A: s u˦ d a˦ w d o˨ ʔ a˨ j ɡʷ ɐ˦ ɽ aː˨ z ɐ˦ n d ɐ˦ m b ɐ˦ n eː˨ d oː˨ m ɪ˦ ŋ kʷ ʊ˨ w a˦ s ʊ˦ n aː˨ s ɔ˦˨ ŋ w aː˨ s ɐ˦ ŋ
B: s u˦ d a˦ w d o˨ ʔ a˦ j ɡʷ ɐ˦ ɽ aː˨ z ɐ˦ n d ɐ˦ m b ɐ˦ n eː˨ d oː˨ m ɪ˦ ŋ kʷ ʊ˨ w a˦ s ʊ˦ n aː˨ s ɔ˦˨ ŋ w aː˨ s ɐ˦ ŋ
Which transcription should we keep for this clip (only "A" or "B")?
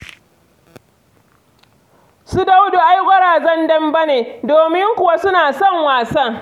B